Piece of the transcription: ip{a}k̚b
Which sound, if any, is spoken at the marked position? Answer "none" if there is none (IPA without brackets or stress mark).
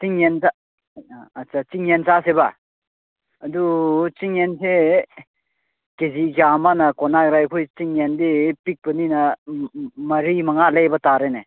i